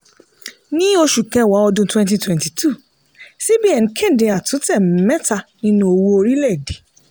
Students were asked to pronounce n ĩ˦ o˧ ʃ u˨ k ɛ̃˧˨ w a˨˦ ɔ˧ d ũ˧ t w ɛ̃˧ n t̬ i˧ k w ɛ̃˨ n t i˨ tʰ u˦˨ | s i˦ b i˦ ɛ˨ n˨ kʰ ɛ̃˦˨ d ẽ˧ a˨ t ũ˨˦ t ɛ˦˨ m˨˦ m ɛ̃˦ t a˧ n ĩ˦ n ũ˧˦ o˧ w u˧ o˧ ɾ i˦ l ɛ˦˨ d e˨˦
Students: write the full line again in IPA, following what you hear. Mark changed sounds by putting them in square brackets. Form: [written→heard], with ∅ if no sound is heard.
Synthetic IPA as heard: n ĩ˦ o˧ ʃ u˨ k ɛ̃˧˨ w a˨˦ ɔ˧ d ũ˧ t w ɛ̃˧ n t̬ i˧ [k→t] w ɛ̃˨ n t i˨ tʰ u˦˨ | s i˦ b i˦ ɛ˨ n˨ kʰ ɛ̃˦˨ d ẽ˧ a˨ t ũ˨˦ t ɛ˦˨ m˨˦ m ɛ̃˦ t a˧ n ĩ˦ n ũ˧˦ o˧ w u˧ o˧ ɾ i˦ l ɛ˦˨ d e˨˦